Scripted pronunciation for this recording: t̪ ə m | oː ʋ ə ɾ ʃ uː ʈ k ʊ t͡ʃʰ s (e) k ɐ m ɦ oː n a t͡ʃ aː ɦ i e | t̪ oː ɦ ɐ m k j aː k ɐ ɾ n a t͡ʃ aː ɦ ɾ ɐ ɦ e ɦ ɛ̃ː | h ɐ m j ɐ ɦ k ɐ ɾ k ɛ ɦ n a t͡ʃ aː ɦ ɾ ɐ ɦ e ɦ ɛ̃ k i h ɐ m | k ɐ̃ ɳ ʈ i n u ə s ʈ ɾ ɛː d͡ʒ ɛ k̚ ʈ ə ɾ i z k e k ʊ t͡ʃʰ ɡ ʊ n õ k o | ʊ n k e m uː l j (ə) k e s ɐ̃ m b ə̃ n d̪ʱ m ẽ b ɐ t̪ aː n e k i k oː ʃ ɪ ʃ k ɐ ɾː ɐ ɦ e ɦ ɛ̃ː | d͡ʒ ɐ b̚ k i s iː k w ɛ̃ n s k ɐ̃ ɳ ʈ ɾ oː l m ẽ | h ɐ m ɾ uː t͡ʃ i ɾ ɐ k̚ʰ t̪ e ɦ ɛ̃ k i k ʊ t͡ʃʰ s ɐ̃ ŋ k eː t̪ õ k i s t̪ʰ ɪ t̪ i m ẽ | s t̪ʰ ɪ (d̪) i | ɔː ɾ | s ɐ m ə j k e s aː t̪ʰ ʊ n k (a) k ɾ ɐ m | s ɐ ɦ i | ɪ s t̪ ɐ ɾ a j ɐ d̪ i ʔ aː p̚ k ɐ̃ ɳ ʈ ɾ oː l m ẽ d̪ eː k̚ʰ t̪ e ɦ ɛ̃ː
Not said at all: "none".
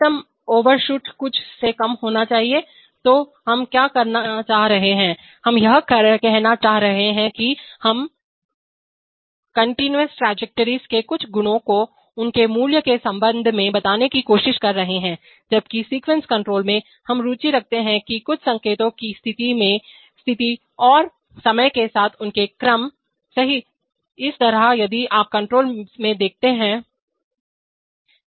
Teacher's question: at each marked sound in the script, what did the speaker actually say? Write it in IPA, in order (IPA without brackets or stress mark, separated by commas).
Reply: e, ə, t̪, e